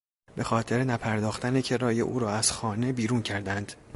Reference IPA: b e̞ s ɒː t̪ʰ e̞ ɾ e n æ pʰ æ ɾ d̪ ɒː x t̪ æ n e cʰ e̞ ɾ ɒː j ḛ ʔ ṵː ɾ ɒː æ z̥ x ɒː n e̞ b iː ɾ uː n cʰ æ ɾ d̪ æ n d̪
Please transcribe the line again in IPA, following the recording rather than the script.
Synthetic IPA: b e̞ x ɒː t̪ʰ e̞ ɾ e n æ pʰ æ ɾ d̪ ɒː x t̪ æ n e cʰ e̞ ɾ ɒː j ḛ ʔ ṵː ɾ ɒː æ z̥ x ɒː n e̞ b iː ɾ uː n cʰ æ ɾ d̪ æ n d̪